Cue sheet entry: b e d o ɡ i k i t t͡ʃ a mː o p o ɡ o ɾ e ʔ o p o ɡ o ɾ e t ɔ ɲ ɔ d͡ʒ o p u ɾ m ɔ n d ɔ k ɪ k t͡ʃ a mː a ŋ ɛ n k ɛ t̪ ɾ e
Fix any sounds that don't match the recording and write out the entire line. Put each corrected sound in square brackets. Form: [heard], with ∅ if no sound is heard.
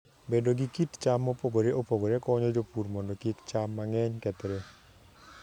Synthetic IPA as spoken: b e d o ɡ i k i t t͡ʃ a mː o p o ɡ o ɾ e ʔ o p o ɡ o ɾ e [k] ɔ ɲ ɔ d͡ʒ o p u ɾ m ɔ n d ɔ k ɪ k t͡ʃ a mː a ŋ ɛ [ɲ] k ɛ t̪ ɾ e